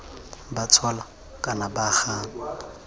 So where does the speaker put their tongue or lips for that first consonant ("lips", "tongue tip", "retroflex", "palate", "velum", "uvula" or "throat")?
lips